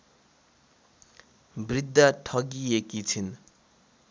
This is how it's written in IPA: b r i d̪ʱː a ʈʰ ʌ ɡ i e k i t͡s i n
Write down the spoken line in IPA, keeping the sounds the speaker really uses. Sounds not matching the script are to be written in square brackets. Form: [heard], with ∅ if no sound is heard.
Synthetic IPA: b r i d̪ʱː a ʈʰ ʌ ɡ i e k i [t͡sʰ] i n